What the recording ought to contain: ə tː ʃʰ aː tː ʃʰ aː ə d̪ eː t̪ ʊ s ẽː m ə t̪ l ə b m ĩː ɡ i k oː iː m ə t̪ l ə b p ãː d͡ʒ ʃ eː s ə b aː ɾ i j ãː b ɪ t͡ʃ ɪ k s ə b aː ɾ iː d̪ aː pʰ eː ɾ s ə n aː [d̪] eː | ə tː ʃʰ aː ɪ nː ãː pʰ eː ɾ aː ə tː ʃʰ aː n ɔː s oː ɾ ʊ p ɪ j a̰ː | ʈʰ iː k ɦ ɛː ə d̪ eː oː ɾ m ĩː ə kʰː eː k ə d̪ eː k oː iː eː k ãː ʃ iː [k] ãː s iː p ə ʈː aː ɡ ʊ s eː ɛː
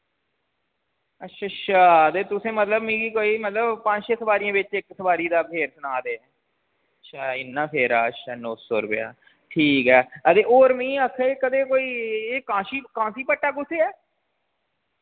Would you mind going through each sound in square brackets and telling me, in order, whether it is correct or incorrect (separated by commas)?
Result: correct, correct